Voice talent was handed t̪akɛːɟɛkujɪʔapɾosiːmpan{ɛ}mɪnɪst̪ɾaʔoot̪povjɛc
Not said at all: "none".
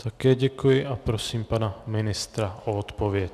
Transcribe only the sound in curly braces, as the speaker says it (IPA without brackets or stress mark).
a